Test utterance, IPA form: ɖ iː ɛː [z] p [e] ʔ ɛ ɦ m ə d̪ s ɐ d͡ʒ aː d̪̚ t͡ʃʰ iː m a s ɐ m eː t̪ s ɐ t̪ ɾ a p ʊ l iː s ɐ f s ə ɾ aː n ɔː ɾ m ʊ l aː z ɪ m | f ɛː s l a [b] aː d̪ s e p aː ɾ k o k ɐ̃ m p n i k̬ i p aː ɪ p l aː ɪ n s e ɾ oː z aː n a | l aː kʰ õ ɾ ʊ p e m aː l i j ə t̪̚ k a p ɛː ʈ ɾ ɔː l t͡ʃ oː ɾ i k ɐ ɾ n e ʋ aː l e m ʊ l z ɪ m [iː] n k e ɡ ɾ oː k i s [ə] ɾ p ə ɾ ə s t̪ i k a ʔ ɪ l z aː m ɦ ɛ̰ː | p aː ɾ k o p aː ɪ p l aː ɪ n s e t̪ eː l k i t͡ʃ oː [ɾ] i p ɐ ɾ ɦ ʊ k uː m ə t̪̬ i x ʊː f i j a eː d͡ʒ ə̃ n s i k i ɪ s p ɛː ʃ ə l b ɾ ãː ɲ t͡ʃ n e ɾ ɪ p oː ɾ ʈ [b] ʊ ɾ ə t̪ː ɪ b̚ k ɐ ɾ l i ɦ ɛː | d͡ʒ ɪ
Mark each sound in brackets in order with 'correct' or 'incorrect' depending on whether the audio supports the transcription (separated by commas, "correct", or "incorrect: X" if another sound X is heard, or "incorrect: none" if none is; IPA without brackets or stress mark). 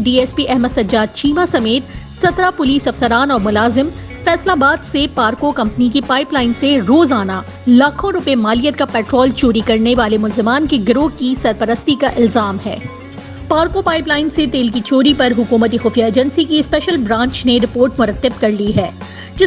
incorrect: s, incorrect: i, correct, incorrect: aː, incorrect: ɐ, correct, incorrect: m